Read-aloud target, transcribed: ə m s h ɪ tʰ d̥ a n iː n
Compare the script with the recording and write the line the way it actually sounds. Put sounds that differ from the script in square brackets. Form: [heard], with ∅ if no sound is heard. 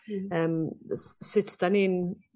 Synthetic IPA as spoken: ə m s [s] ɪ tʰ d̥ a n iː n